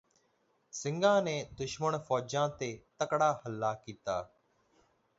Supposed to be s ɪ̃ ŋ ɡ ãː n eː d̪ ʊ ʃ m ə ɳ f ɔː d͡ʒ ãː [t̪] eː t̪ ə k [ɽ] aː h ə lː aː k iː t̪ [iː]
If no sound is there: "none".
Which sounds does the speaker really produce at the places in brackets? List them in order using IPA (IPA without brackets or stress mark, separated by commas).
t̪, ɽ, aː